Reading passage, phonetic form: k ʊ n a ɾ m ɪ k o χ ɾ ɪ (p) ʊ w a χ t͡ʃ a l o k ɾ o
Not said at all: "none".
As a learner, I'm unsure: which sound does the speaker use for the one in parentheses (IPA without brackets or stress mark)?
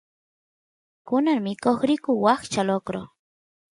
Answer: k